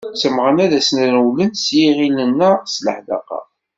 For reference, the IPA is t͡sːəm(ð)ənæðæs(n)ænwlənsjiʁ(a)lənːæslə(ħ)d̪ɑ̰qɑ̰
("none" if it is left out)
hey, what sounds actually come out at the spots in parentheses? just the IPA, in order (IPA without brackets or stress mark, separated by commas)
ʁ, n, i, ħ